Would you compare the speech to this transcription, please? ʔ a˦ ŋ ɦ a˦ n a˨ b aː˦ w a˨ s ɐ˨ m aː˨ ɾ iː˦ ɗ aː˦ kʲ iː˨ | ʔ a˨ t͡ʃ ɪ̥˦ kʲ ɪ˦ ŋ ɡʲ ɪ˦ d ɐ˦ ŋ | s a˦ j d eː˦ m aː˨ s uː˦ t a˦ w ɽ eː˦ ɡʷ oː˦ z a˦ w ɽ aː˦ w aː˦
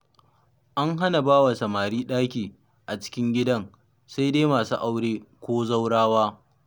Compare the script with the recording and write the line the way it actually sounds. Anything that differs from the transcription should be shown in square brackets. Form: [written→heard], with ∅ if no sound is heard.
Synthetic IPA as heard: ʔ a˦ ŋ ɦ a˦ n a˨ b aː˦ w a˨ s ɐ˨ m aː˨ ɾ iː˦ ɗ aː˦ kʲ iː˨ | ʔ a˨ t͡ʃ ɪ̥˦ kʲ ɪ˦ ŋ ɡʲ ɪ˦ d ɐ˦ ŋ | s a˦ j d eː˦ m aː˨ s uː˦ [t→ʔ] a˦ w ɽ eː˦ [ɡʷ→kʷ] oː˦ z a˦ w ɽ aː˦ w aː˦